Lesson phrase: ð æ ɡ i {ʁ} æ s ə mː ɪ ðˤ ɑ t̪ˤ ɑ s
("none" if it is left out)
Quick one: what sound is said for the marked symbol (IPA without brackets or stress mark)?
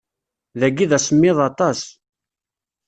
ð